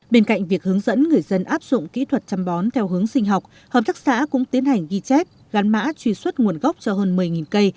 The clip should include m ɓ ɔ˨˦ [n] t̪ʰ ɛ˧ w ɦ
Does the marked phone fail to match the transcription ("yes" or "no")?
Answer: no